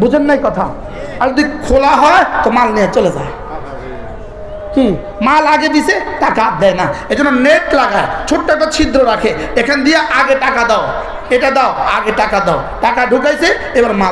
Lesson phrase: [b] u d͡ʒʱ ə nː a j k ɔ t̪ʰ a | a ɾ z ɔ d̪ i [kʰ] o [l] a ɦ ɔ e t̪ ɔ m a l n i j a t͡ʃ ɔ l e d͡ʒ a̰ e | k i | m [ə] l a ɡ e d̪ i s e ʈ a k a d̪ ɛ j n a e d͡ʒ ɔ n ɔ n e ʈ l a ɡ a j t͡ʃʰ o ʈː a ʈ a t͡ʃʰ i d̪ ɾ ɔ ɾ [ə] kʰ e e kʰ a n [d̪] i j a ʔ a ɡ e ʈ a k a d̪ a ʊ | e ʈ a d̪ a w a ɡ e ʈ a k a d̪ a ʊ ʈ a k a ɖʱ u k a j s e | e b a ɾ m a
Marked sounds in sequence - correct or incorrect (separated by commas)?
correct, correct, correct, incorrect, incorrect, correct